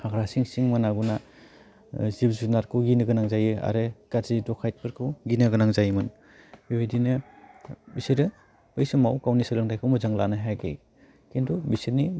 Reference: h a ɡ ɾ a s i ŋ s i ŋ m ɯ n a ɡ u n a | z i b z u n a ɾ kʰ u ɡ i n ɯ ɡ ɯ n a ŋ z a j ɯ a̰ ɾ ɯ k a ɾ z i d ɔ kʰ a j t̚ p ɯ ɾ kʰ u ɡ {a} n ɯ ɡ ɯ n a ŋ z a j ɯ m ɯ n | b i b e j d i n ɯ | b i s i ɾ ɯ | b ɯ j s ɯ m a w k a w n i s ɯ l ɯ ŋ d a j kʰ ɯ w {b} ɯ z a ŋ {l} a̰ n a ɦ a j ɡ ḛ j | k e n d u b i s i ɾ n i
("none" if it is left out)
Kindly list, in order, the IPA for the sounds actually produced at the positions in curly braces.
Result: i, m, l

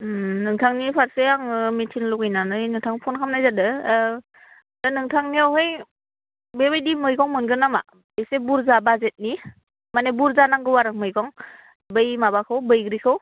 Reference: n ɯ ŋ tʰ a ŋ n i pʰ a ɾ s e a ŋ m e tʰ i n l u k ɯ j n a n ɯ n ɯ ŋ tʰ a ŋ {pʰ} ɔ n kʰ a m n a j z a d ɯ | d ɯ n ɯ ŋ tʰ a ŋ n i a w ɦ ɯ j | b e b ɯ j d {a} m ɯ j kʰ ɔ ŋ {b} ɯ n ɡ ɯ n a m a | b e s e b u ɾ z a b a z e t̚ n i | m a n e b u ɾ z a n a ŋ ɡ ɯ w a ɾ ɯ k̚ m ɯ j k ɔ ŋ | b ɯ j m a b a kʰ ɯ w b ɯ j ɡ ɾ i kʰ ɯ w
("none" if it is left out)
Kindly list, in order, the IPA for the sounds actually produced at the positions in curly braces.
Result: pʰ, i, m

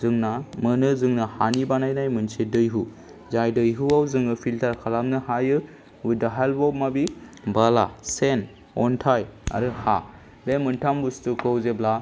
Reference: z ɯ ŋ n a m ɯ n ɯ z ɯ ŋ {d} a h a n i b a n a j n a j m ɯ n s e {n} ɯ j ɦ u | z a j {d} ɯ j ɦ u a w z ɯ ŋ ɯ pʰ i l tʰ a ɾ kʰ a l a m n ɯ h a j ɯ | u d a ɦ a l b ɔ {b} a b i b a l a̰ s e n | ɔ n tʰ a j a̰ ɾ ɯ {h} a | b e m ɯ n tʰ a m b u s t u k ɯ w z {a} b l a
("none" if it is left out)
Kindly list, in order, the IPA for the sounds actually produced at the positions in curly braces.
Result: n, d, d, m, h, e

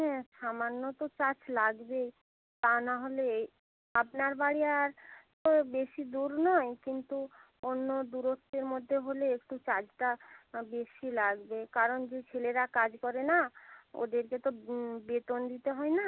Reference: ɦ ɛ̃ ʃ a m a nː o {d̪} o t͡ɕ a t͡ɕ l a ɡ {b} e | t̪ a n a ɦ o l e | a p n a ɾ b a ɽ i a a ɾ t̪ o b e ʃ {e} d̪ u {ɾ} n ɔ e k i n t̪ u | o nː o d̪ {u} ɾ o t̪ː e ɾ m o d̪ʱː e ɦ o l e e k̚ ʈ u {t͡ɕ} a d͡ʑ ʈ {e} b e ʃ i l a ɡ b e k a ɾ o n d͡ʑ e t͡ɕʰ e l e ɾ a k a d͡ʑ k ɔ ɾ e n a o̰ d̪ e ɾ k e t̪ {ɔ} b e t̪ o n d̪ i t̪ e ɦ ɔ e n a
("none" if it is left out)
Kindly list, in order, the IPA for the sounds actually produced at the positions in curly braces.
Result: t̪, b, i, ɾ, u, t͡ɕ, a, o

